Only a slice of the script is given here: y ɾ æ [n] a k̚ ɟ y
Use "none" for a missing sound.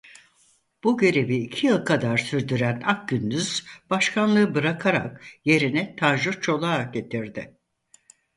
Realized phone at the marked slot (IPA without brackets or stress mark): n